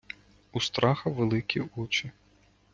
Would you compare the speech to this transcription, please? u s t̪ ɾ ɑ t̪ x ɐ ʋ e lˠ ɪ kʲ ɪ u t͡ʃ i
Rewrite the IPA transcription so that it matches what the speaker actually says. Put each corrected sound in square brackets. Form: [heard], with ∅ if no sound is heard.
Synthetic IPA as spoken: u s t̪ ɾ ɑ [∅] x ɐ ʋ e lˠ ɪ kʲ [i] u t͡ʃ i